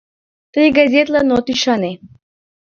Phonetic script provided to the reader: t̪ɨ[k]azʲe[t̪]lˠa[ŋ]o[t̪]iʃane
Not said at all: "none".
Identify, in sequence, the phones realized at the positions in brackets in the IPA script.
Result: ɡ, t̪, n, t̪

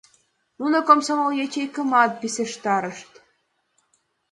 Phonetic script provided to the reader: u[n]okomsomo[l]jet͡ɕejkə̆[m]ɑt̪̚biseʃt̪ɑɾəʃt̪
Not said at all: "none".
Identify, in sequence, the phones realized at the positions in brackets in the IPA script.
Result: n, l, m

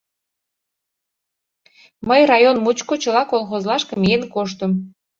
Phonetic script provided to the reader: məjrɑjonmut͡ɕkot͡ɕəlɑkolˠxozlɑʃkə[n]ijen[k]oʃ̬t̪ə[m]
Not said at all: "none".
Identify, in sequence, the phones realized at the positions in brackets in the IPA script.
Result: m, k, m

